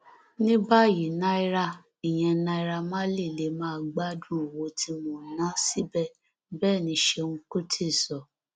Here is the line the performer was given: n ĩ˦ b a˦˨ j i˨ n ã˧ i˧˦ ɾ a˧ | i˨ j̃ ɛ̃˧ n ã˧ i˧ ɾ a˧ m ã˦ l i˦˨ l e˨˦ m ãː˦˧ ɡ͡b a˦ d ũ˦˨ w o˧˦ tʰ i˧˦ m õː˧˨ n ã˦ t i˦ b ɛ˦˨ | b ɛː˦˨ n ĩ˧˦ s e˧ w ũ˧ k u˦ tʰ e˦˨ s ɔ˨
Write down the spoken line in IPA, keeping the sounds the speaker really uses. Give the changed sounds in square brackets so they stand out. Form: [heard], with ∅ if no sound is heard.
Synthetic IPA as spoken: n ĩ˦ b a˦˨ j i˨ n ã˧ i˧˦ ɾ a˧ | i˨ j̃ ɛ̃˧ n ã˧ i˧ ɾ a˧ m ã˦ l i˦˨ l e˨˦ m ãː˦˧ ɡ͡b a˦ d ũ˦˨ w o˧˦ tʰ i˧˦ m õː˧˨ n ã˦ [s] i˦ b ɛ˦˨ | b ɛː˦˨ n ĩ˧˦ [ʃ] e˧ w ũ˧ k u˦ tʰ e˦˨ s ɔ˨

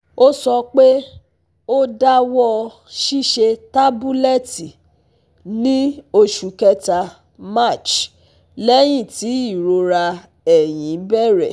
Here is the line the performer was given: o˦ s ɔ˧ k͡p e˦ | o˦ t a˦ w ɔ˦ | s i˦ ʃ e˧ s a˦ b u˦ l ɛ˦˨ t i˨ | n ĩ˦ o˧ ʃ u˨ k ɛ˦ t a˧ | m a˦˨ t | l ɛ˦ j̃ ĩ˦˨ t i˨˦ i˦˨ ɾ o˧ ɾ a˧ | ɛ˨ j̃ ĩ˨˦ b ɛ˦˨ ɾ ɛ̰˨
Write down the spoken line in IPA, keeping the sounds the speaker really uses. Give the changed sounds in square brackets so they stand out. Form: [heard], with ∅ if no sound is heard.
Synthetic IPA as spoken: o˦ s ɔ˧ k͡p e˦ | o˦ [d] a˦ w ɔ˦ | [ʃ] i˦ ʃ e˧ [t] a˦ b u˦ l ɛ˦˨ t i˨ | n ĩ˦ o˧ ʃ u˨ k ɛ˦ t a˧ | m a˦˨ [t͡ʃ] | l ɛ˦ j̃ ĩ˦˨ t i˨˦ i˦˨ ɾ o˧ ɾ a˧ | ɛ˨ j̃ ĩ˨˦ b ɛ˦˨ ɾ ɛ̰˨

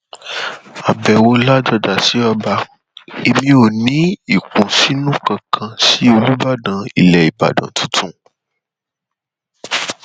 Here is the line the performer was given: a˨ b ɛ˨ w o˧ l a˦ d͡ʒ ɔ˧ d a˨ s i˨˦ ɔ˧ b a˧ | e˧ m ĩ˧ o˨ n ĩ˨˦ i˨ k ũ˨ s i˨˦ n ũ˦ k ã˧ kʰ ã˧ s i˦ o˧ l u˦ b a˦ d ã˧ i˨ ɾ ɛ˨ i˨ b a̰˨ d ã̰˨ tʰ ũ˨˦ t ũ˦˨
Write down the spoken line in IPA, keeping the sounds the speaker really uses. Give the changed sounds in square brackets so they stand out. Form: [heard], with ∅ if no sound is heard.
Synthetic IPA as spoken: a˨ b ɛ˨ w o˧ l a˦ d͡ʒ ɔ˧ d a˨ s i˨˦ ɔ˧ b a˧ | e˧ m ĩ˧ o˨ n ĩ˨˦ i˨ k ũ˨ s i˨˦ n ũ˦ k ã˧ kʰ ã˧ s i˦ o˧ l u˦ b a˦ d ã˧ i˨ [l] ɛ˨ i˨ b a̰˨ d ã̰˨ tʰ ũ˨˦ t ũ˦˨

